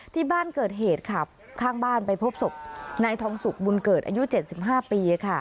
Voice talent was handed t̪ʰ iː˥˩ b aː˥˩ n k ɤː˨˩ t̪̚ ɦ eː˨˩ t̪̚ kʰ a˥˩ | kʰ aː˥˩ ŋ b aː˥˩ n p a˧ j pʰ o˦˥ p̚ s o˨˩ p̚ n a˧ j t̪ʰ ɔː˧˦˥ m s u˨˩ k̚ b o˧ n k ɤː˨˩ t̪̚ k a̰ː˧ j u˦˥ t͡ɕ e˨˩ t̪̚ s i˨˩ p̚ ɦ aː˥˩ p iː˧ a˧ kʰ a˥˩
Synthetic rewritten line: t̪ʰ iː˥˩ b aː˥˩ n k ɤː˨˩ t̪̚ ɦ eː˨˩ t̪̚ kʰ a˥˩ | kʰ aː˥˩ ŋ b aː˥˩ n p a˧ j pʰ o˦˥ p̚ s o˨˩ p̚ n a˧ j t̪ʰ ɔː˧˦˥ ŋ s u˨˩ k̚ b u˧ n k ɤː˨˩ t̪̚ ʔ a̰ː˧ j u˦˥ t͡ɕ e˨˩ t̪̚ s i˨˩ p̚ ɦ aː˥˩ p iː˧ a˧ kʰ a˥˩

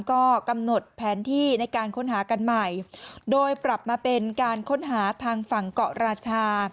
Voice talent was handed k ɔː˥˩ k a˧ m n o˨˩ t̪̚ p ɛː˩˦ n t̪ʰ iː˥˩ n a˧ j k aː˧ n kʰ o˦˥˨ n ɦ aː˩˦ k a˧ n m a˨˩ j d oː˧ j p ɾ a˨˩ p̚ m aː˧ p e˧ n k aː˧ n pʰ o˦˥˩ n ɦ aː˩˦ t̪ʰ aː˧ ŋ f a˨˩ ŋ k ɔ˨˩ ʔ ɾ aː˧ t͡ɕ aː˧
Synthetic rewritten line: k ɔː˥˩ k a˧ m n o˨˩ t̪̚ pʰ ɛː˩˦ n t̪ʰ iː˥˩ n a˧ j k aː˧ n kʰ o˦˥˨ n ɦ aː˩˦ k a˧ n m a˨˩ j d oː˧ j p ɾ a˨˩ p̚ m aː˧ p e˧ n k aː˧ n kʰ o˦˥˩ n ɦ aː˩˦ t̪ʰ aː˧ ŋ f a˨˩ ŋ k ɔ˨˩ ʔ ɾ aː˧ t͡ɕʰ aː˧

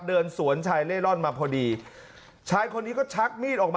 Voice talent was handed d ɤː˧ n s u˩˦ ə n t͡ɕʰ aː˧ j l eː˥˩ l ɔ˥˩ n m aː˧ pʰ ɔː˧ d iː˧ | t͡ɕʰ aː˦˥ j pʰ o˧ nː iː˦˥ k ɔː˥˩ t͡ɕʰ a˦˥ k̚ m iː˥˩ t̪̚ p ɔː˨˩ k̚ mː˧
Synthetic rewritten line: d ɤː˧ n s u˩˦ ə n t͡ɕʰ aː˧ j l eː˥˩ l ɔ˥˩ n m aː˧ pʰ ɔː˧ d iː˧ | t͡ɕʰ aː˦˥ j kʰ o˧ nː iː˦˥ k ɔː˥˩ t͡ɕʰ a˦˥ k̚ m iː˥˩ t̪̚ ʔ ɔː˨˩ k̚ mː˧

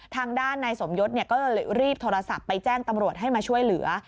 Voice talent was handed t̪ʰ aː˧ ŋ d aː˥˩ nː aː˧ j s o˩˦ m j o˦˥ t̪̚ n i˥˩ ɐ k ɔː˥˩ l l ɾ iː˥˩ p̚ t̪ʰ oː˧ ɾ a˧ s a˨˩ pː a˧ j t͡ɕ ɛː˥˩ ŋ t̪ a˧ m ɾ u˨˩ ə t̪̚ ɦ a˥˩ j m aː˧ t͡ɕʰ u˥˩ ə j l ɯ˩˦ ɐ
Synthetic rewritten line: t̪ʰ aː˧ ŋ d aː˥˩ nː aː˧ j s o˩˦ m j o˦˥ t̪̚ n i˥˩ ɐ k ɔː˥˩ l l ɾ iː˥˩ p̚ t̪ʰ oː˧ ɾ a˧ s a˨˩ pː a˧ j t͡ɕ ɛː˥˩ ŋ t̪ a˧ m ɾ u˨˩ ə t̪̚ ɦ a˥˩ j m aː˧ t͡ɕʰ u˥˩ ə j l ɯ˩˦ ɐ

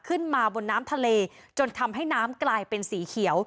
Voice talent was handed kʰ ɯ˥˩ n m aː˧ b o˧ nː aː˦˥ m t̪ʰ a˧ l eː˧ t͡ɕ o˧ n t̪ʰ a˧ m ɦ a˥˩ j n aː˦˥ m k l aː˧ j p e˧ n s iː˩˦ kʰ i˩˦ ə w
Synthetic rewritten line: kʰ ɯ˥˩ n m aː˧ b o˧ nː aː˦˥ m t̪ʰ a˧ l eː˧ t͡ɕ o˧ n t̪ʰ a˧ m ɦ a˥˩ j n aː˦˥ m k l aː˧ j p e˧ n s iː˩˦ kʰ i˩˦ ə w

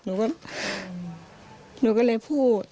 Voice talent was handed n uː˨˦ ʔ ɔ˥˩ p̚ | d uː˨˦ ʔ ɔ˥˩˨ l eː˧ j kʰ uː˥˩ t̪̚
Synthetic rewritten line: n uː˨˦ k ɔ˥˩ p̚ | n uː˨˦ k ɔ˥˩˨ l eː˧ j pʰ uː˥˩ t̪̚

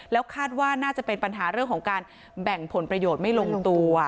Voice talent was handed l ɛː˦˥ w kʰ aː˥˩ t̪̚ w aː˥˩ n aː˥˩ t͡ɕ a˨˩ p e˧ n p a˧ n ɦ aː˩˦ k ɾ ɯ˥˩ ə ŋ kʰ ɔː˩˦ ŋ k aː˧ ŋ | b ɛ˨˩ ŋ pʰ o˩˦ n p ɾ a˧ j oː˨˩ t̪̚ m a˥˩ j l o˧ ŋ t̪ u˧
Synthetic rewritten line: l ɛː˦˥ w kʰ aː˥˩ t̪̚ w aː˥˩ n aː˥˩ t͡ɕ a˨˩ p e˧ n p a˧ n ɦ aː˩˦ ɾ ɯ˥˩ ə ŋ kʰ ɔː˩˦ ŋ k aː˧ n | b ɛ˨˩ ŋ pʰ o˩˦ n p ɾ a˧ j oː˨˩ t̪̚ m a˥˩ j l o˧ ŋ t̪ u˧

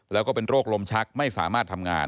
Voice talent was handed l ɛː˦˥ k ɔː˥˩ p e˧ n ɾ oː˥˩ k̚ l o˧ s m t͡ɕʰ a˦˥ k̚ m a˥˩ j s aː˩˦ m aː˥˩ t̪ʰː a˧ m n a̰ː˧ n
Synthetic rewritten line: l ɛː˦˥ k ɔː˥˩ p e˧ n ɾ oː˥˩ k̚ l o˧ m t͡ɕʰ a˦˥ k̚ m a˥˩ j s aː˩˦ m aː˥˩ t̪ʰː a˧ m ŋ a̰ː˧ n

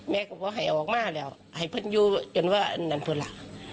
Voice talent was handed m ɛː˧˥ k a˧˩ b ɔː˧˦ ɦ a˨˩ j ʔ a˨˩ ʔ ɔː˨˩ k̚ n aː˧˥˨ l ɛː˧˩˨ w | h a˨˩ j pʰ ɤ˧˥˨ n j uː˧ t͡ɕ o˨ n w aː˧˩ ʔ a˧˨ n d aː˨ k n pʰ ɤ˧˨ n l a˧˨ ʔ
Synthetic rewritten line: m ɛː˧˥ k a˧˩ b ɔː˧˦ ɦ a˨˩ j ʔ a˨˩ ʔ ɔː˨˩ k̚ m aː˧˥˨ l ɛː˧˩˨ w | h a˨˩ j pʰ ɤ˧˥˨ n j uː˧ t͡ɕ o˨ n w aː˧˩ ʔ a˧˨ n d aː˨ n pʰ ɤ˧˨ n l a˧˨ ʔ

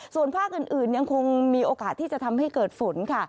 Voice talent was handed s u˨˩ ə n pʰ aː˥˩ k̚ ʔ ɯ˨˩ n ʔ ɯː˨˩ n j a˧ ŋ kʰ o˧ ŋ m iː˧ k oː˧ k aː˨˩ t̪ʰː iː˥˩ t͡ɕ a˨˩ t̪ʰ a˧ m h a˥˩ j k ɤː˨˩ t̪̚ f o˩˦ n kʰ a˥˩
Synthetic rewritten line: s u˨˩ ə n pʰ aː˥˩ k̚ ʔ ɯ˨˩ n ʔ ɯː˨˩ n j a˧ ŋ kʰ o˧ ŋ m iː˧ ʔ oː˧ k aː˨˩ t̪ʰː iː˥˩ t͡ɕ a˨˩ t̪ʰ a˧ m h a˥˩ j k ɤː˨˩ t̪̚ f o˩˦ n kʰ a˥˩

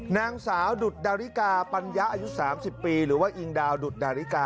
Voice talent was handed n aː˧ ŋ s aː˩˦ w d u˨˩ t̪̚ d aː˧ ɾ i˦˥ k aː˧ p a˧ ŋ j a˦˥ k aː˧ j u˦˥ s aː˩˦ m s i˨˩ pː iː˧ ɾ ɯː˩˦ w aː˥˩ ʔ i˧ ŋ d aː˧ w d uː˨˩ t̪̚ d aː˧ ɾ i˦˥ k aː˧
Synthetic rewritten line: n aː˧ ŋ s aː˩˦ w d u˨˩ t̪̚ d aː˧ ɾ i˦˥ k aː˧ p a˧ n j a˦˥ ʔ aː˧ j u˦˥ s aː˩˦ m s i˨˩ pː iː˧ ɾ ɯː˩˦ w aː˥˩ ʔ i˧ ŋ d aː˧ w d u˨˩ t̪̚ d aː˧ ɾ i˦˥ k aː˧

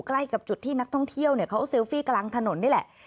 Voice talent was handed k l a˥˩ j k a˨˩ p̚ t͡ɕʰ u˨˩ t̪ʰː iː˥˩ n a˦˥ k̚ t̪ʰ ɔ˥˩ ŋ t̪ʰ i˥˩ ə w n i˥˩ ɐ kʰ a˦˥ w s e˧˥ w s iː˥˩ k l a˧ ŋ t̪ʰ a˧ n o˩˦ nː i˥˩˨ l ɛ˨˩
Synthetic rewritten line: k l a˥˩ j k a˨˩ p̚ t͡ɕ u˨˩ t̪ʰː iː˥˩ n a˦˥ k̚ t̪ʰ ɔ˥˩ ŋ t̪ʰ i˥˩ ə w n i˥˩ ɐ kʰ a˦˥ w s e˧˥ w f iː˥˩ k l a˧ ŋ t̪ʰ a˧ n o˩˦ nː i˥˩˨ l ɛ˨˩

